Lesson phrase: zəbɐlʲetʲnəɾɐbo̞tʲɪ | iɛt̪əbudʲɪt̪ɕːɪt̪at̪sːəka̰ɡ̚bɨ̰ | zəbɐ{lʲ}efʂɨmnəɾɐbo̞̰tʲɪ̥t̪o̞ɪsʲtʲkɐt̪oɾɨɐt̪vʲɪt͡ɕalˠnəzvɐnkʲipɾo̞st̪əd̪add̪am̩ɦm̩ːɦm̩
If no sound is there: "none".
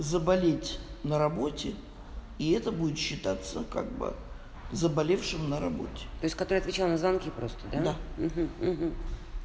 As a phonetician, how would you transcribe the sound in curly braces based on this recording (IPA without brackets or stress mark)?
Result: lʲ